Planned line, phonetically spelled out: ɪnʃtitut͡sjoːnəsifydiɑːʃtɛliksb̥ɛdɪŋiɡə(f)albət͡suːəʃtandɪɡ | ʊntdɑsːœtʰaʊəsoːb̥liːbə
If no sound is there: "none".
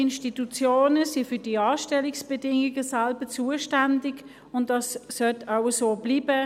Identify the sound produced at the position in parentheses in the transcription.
s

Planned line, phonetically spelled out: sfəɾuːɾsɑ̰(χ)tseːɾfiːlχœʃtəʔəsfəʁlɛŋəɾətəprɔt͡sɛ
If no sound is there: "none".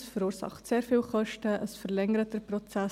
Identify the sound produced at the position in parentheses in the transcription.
χ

